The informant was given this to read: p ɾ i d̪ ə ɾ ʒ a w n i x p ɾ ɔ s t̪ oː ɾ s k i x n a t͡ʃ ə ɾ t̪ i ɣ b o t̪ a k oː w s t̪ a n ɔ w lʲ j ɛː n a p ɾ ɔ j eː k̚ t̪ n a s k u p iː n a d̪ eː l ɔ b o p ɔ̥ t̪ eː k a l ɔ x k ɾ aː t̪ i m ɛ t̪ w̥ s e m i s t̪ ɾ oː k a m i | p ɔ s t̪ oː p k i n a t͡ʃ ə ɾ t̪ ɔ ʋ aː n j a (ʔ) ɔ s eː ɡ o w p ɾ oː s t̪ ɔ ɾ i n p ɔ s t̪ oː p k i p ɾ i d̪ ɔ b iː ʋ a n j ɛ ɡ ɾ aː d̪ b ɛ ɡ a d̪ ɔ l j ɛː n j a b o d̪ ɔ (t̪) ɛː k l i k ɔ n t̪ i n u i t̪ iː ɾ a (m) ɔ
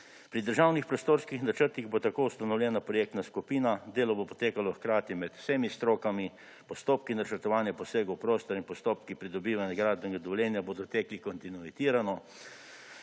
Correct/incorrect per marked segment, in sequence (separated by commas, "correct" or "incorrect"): incorrect, correct, incorrect